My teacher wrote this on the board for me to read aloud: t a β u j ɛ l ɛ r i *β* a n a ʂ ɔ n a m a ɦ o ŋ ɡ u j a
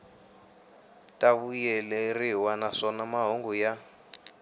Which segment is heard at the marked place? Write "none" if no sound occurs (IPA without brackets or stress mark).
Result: w